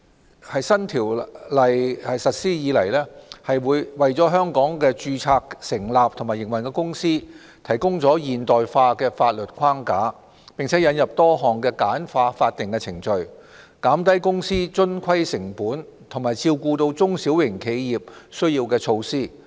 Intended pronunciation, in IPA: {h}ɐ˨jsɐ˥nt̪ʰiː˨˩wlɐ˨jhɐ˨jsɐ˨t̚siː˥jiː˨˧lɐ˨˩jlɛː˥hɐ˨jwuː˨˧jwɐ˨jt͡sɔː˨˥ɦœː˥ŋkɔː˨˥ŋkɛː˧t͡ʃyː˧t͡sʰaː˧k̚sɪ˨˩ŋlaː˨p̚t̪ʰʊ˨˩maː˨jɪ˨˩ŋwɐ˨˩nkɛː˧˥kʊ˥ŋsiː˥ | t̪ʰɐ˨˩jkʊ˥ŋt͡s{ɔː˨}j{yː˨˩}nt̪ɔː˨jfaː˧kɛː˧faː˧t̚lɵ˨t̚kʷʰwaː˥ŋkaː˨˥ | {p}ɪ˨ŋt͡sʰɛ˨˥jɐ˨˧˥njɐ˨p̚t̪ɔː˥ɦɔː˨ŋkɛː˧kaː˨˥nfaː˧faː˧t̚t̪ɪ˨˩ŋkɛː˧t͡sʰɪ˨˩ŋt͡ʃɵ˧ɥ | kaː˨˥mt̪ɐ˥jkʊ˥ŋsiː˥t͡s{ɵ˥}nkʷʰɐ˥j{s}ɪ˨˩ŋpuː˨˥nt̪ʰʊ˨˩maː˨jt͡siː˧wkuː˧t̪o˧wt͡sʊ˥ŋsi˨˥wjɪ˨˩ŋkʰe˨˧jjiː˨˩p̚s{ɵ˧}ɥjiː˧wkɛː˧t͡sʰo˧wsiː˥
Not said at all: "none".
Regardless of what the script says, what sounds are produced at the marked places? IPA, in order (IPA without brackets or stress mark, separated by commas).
h, ɔː˨˥, iː˨˩, p, ɵ˥, s, ɵ˥